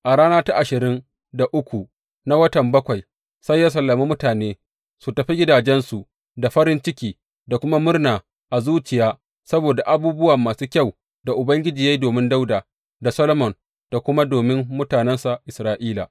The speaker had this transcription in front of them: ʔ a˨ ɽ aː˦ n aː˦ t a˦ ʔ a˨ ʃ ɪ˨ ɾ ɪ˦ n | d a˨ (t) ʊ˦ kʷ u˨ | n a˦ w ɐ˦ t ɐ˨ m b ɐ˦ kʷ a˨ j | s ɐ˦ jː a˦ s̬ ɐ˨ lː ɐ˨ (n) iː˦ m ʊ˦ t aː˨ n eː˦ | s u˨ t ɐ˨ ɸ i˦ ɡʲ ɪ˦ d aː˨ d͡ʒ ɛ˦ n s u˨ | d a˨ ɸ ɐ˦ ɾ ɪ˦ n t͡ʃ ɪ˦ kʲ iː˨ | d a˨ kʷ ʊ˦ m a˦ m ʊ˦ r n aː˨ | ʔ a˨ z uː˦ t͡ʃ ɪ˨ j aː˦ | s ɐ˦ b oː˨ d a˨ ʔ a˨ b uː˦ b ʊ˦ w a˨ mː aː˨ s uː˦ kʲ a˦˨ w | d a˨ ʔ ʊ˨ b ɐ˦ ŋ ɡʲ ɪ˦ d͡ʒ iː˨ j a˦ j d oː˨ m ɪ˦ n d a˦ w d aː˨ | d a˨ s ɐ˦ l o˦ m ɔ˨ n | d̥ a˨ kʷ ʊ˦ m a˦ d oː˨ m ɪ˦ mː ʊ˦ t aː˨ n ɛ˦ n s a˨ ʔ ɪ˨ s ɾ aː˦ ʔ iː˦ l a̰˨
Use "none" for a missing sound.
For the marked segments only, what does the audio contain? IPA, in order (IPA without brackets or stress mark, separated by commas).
ʔ, m